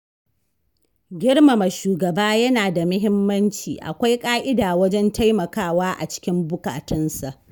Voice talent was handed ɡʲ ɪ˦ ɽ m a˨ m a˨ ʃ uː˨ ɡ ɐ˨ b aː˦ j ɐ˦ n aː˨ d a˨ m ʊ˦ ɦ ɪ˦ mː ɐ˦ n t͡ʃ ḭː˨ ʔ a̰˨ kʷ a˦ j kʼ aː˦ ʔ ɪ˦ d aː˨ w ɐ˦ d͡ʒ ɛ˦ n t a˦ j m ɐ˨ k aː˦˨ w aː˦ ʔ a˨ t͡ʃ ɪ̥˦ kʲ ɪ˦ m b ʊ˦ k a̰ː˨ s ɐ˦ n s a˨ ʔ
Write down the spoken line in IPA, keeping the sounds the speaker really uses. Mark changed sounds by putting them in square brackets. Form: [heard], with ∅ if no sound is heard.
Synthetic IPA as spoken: ɡʲ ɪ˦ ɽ m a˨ m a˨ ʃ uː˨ ɡ ɐ˨ b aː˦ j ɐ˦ n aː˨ d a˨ m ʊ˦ ɦ ɪ˦ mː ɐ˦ n t͡ʃ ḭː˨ ʔ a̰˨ kʷ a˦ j kʼ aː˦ ʔ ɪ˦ d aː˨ w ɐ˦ d͡ʒ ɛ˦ n t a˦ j m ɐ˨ k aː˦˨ w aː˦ ʔ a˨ t͡ʃ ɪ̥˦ kʲ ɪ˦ m b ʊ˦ k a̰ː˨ [t] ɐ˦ n s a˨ ʔ